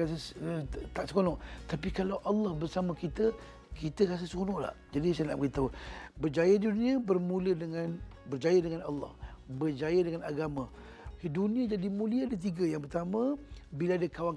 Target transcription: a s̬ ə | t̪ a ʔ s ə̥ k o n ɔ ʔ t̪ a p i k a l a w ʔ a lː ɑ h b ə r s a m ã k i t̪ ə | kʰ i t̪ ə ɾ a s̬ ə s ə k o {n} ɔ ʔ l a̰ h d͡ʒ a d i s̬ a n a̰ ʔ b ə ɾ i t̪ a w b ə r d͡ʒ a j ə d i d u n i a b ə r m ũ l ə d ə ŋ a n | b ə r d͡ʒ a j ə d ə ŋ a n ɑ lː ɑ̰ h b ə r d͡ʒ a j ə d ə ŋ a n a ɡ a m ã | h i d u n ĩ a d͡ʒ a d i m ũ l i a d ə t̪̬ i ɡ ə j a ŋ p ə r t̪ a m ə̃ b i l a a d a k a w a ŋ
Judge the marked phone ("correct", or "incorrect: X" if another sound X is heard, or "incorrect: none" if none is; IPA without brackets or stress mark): correct